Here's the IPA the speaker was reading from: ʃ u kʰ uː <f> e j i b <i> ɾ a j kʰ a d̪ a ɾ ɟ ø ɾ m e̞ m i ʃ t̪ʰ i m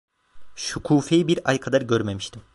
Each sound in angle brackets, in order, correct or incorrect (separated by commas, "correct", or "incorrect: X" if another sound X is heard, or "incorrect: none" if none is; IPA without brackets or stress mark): correct, correct